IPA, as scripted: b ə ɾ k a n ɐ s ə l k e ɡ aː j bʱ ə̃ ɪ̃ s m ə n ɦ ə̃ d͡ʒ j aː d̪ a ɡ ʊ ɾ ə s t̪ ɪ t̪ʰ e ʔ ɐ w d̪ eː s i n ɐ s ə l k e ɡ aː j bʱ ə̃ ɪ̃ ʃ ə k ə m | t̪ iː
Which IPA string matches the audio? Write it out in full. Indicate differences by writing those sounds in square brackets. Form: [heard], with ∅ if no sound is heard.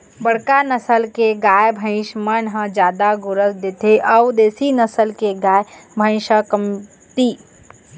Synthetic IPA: b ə [ɽ] k a n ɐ s ə l k e ɡ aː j bʱ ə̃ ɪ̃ [ʃ] m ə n ɦ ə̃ d͡ʒ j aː d̪ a ɡ ʊ ɾ ə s [d̪] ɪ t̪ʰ e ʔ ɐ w d̪ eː s i n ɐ s ə l k e ɡ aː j bʱ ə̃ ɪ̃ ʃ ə k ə m | t̪ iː